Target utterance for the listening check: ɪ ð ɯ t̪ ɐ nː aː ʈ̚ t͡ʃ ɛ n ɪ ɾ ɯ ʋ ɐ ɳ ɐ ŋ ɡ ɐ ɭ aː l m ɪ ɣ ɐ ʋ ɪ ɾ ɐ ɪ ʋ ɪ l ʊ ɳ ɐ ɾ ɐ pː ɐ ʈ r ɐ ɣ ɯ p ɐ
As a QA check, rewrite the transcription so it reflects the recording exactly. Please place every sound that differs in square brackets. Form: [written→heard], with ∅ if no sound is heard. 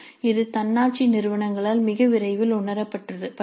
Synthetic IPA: ɪ ð ɯ t̪ ɐ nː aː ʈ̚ t͡ʃ [ɛ→i] n ɪ ɾ ɯ ʋ ɐ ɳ ɐ ŋ ɡ ɐ ɭ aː l m ɪ ɣ ɐ ʋ ɪ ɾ ɐ ɪ ʋ ɪ l ʊ ɳ ɐ ɾ ɐ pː ɐ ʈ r ɐ [ɣ→ð] ɯ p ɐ